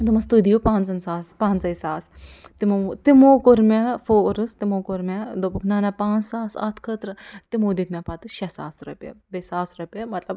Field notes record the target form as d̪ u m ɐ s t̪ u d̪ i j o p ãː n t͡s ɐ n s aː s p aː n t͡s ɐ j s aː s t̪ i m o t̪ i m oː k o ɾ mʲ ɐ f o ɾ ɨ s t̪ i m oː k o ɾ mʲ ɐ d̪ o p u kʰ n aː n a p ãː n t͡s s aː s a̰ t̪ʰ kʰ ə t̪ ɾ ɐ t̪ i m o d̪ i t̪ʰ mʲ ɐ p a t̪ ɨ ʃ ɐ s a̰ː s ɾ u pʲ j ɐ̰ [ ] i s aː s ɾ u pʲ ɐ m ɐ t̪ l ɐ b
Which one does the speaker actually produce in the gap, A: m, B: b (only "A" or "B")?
B